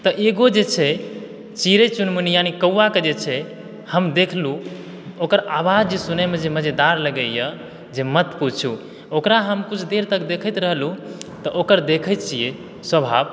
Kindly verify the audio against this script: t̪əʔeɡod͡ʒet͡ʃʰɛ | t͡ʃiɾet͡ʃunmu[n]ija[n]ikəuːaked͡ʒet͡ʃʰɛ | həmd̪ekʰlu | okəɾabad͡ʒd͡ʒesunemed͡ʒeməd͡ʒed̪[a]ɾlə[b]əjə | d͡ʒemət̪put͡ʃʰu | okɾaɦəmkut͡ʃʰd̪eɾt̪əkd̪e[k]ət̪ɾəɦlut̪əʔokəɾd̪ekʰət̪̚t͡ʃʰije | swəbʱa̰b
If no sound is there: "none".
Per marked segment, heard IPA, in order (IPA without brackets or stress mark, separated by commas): n, n, a, ɡ, kʰ